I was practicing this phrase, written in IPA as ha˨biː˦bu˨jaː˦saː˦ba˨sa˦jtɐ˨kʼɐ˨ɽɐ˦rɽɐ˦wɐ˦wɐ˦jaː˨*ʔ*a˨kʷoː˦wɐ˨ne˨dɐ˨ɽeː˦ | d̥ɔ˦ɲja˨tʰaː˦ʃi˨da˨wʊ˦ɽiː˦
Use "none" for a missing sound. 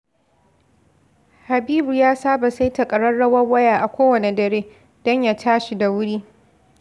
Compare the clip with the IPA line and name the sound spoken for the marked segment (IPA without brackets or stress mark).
ʔ